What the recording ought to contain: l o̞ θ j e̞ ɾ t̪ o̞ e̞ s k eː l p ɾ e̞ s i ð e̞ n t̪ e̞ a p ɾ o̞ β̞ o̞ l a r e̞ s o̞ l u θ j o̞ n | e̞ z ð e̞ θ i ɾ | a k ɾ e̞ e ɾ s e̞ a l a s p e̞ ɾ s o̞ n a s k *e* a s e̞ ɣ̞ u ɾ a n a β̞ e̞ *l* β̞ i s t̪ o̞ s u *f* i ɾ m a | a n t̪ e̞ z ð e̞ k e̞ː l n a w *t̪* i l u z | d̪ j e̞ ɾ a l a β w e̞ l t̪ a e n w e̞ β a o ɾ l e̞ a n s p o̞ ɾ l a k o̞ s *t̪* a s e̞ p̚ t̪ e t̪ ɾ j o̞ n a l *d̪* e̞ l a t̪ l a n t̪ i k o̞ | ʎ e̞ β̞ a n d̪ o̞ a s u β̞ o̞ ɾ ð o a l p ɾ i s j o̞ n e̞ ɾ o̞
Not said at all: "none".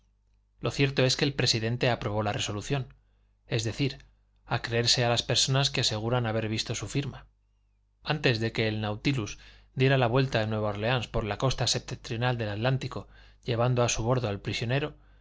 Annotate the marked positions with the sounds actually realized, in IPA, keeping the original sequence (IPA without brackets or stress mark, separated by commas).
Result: e, ɾ, f, t̪, t̪, d̪